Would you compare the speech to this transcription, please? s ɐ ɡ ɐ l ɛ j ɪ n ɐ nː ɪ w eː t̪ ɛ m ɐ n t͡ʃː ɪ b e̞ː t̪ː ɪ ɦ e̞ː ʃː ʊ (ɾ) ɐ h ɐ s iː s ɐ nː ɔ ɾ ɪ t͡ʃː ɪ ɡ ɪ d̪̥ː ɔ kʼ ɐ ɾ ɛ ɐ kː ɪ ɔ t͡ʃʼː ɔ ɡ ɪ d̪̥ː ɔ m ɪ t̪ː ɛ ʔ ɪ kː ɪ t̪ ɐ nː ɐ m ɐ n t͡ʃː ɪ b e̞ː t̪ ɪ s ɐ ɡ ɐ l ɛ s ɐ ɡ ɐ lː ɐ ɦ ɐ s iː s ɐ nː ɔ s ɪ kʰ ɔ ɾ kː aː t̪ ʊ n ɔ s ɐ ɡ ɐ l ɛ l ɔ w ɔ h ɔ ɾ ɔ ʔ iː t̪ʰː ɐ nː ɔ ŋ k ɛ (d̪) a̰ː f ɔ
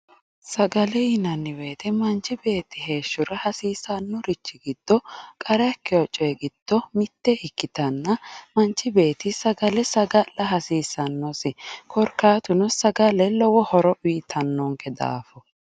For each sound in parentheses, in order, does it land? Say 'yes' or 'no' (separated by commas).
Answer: yes, yes